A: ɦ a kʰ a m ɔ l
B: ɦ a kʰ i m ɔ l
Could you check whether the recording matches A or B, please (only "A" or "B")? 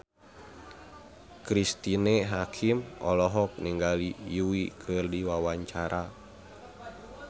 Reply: B